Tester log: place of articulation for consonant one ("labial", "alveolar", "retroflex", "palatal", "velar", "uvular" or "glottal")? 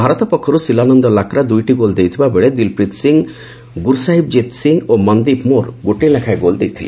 labial